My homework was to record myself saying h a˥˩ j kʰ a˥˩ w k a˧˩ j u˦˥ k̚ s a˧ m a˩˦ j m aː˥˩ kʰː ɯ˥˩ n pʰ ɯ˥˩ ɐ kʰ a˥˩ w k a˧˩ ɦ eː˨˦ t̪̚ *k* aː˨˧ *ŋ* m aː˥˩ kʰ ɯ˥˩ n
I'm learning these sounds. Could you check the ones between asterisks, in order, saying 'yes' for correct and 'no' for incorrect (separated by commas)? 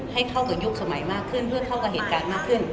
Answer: yes, no